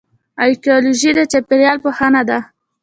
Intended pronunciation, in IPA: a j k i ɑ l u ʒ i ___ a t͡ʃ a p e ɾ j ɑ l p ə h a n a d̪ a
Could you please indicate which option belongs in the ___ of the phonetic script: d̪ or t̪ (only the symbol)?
d̪